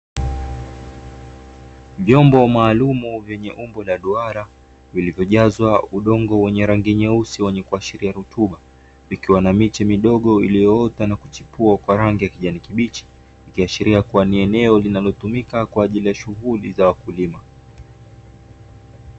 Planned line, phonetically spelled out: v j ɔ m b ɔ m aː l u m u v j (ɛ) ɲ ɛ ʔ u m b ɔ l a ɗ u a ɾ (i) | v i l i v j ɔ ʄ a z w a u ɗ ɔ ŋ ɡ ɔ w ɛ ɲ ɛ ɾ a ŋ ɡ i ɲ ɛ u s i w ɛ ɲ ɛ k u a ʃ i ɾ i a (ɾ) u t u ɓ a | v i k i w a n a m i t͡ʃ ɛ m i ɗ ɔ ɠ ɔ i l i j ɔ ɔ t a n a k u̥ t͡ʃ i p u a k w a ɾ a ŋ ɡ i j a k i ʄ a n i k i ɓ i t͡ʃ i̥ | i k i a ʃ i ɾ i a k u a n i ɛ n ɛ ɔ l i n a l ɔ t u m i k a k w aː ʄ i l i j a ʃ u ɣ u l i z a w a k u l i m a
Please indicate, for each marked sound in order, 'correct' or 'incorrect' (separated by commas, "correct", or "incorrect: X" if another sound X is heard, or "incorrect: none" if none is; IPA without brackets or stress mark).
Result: correct, incorrect: a, correct